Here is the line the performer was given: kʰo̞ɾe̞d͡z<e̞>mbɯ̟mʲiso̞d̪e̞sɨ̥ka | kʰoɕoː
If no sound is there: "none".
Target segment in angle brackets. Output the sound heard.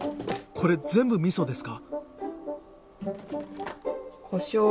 ẽ̞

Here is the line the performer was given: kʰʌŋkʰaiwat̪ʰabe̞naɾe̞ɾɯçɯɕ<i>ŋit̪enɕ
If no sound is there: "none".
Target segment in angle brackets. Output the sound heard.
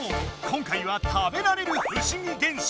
i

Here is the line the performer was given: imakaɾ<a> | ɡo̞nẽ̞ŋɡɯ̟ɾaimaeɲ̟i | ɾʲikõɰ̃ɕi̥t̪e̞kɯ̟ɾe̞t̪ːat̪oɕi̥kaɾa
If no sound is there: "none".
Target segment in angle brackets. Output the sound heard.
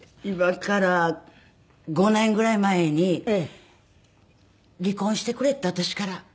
a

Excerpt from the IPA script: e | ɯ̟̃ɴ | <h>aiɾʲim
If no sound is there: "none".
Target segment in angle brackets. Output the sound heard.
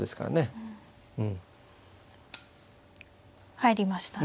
h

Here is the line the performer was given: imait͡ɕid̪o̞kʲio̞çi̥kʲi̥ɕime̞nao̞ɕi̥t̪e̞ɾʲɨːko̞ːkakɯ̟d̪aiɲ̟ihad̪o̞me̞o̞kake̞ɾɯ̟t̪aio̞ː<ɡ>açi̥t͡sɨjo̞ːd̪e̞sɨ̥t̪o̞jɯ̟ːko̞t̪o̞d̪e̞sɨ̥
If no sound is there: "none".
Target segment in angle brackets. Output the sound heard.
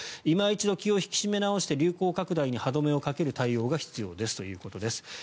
ɡ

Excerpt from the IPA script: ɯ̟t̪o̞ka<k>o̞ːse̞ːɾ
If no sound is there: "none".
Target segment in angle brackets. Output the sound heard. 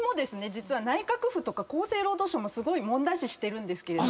k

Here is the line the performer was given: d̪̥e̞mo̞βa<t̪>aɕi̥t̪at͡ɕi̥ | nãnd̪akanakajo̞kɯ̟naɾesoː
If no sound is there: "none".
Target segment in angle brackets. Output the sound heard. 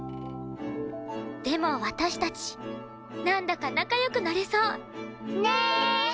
t̪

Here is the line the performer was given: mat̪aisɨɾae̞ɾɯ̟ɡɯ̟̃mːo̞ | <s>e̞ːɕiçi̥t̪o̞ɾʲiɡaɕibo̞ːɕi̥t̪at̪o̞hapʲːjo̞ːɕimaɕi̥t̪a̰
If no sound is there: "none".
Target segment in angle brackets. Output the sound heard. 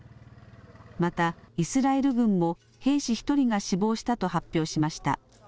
h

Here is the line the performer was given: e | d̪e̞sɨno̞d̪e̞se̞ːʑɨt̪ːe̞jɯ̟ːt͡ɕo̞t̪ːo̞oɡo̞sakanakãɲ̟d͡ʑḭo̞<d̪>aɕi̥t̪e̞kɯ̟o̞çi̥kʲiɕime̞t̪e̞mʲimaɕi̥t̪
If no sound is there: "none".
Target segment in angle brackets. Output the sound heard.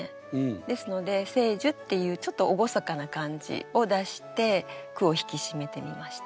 d̪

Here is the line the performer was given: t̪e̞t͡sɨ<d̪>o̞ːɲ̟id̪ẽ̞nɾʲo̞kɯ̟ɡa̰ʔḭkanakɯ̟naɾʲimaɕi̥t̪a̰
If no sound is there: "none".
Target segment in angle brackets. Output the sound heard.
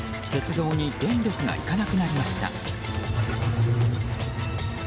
d̪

